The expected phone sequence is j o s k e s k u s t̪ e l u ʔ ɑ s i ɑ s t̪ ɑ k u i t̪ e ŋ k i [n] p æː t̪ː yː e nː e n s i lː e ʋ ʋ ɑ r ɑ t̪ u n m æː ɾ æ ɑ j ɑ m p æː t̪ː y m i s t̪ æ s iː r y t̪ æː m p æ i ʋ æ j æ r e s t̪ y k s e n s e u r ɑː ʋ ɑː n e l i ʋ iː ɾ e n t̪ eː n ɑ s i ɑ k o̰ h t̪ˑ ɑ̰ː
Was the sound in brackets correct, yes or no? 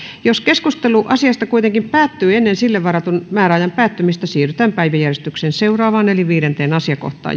no